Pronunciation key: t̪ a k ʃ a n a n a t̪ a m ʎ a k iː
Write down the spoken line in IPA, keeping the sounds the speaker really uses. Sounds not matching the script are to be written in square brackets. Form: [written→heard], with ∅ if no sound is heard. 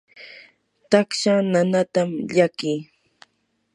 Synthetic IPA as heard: t̪ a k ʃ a n a n a t̪ a m ʎ a k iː